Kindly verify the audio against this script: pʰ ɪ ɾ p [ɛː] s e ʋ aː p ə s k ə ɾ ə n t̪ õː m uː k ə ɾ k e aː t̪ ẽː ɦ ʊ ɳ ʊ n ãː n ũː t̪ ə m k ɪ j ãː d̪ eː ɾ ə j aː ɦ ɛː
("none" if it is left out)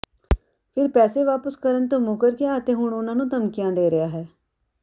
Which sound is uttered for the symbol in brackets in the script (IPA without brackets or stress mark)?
ɛː